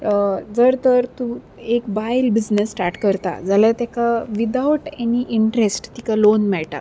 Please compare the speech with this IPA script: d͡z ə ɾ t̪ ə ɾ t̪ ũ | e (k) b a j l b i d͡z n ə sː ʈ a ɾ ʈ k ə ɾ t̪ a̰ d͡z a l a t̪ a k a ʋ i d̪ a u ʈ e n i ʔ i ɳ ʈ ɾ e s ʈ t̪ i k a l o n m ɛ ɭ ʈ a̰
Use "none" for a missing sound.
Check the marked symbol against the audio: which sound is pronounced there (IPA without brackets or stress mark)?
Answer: k